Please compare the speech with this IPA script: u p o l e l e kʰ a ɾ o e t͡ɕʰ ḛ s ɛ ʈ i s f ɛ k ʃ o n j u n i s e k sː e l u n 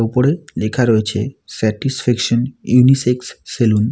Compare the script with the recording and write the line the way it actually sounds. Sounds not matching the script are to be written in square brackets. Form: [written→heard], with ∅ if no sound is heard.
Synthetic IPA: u p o [l→ɾ] e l e kʰ a ɾ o e t͡ɕʰ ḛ s ɛ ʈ i s f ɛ k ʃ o n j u n i s e k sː e l u n